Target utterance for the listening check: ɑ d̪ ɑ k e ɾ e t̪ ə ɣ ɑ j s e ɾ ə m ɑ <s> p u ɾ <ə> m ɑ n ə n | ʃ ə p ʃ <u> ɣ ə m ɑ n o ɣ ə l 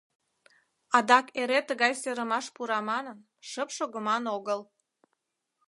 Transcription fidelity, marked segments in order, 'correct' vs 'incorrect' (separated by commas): incorrect, incorrect, incorrect